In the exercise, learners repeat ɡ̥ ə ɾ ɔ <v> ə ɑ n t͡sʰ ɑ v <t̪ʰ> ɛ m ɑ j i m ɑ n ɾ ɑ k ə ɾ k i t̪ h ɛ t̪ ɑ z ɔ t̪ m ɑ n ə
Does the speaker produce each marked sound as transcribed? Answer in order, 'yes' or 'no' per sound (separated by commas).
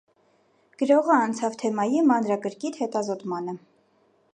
no, yes